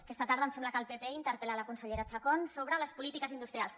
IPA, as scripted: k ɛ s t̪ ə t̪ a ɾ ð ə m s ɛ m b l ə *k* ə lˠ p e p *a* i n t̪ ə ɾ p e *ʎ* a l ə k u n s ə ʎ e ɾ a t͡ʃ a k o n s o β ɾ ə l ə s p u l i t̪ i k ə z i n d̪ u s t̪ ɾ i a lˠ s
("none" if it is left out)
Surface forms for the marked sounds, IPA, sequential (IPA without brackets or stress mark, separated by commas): k, e, l